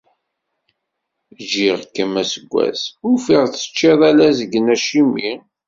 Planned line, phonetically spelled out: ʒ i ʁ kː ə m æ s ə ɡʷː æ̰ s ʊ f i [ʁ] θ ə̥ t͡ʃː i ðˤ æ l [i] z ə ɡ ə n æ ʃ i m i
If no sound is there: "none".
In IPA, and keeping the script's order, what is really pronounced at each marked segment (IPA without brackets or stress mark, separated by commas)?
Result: ʁ, æ